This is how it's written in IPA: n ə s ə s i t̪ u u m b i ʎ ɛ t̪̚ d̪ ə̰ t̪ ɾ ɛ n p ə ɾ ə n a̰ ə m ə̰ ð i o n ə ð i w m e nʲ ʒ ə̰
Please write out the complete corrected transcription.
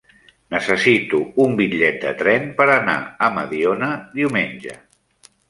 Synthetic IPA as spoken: n ə s ə s i t̪ u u m b i ʎ ɛ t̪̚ d̪ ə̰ t̪ ɾ ɛ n p ə ɾ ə n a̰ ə m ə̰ ð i o n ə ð i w m e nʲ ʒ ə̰

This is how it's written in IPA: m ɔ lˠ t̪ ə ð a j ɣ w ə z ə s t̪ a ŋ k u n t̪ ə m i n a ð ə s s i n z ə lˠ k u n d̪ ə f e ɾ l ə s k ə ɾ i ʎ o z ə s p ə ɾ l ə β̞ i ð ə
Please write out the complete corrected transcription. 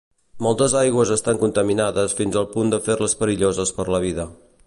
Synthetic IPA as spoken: m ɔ lˠ t̪ ə z a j ɣ w ə z ə s t̪ a ŋ k u n t̪ ə m i n a ð ə s f i n z ə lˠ p u n d̪ ə f e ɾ l ə s p ə ɾ i ʎ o z ə s p ə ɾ l ə β̞ i ð ə

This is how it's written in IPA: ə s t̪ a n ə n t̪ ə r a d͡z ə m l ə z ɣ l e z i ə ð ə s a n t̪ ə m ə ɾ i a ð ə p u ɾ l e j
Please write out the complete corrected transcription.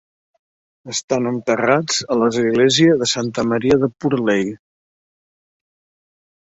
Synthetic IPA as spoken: ə s t̪ a n ə n t̪ ə r a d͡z ə l ə z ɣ l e z i ə ð ə s a n t̪ ə m ə ɾ i ə ð ə p u ɾ l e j

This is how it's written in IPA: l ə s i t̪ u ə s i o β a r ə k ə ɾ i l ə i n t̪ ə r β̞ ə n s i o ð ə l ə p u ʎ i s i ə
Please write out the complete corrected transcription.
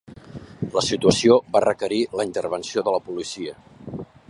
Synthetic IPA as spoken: l ə s i t̪ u ə s i o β a r ə k ə ɾ i l ə i n t̪ ə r β̞ ə n s i o ð ə l ə p u l i s i ə

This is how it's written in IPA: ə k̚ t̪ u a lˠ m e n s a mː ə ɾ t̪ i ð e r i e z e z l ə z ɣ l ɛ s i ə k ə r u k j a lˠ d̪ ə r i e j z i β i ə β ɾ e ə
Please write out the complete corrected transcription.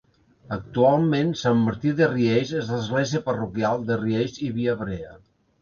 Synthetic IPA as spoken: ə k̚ t̪ u a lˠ m e n s a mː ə ɾ t̪ i ð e r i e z e z l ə z ɣ l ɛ z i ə p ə r u k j a lˠ d̪ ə r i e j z i β i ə β ɾ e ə

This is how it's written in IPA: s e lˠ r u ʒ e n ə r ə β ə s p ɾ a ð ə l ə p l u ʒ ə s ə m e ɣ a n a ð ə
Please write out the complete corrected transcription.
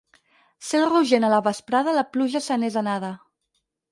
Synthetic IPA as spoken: s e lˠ r u ʒ e n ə l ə β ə s p ɾ a ð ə l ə p l u ʒ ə s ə n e z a n a ð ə

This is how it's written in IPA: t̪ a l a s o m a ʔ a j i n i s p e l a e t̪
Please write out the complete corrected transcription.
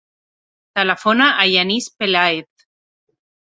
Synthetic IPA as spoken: t̪ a l a f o n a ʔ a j a n i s p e l a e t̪

